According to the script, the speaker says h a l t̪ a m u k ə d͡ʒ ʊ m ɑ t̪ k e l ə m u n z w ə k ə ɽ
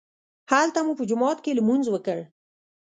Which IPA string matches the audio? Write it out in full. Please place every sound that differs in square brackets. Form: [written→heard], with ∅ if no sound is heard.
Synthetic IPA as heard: h a l t̪ a m u [k→p] ə d͡ʒ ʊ m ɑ t̪ k e l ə m u n z w ə k ə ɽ